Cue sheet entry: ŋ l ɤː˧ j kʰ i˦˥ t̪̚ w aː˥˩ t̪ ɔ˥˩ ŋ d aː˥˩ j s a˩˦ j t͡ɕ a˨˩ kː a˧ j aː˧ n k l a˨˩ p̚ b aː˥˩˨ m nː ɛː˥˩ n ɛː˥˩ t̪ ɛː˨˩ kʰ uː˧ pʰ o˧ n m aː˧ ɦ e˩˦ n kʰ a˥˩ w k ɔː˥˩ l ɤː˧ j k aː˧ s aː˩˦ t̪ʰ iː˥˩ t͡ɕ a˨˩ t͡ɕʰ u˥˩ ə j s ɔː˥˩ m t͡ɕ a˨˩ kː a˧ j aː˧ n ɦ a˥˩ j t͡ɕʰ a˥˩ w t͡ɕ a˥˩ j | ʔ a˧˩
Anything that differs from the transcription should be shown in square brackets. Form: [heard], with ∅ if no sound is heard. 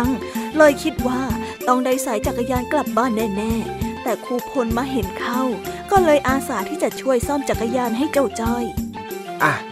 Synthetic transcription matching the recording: ŋ l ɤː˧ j kʰ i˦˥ t̪̚ w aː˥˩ t̪ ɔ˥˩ ŋ d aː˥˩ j s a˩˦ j t͡ɕ a˨˩ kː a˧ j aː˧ n k l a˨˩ p̚ b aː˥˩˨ [∅] nː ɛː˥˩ n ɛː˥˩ t̪ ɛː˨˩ kʰ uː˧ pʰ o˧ n m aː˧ ɦ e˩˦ n kʰ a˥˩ w k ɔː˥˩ l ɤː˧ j [ʔ] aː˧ s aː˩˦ t̪ʰ iː˥˩ t͡ɕ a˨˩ t͡ɕʰ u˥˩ ə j s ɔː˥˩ m t͡ɕ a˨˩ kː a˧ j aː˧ n ɦ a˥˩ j [t͡ɕ] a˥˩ w t͡ɕ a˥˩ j | ʔ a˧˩